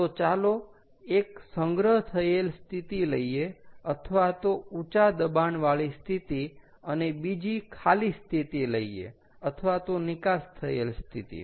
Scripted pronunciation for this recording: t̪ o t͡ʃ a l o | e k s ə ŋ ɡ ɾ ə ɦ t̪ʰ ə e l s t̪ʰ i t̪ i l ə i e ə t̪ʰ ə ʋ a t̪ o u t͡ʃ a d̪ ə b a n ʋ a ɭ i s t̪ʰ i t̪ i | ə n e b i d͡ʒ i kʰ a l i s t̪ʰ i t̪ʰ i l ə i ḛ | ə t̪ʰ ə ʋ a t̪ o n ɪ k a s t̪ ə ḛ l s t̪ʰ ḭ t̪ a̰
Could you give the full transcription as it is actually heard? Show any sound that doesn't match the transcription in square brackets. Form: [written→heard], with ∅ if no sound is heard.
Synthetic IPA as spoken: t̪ o t͡ʃ a l o | e k s ə ŋ ɡ ɾ ə ɦ t̪ʰ ə e l s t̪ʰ i t̪ i l ə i e ə t̪ʰ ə ʋ a t̪ o u t͡ʃ a d̪ ə b a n ʋ a ɭ i s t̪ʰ i t̪ i | ə n e b i d͡ʒ i kʰ a l i s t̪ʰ i [t̪ʰ→t̪] i l ə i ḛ | ə t̪ʰ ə ʋ a t̪ o n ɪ k a s [t̪→t̪ʰ] ə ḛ l s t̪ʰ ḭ t̪ [a̰→ḭ]